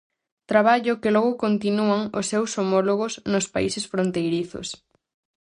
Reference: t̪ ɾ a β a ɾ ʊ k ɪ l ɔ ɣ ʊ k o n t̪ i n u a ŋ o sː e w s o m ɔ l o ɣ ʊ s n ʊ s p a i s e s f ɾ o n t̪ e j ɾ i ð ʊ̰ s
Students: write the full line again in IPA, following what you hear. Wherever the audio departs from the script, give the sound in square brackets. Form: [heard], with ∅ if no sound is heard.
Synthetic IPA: t̪ ɾ a β a [ʎ] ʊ k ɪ l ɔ ɣ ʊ k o n t̪ i n u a ŋ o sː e w s o m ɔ l o ɣ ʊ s n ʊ s p a i s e s f ɾ o n t̪ e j ɾ i [θ] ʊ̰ s